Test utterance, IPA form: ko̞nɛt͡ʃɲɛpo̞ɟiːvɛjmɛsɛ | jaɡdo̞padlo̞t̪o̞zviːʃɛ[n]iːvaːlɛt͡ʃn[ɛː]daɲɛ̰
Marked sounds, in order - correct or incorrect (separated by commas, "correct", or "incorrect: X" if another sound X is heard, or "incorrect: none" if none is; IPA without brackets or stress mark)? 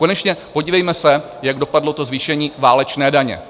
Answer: incorrect: ɲ, correct